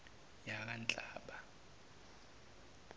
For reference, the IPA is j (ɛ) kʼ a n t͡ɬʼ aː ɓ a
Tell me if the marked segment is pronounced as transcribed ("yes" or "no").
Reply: no